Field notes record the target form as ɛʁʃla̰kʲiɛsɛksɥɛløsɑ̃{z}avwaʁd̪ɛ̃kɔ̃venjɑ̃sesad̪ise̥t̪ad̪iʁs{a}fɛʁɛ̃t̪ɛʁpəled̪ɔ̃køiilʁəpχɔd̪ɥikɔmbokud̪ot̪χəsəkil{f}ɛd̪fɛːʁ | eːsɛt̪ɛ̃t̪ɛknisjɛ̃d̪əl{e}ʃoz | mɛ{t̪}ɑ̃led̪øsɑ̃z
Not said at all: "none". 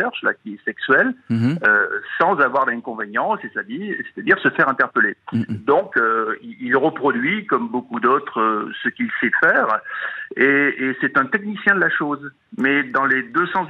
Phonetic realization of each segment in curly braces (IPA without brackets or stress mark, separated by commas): z, ə, s, a, d̪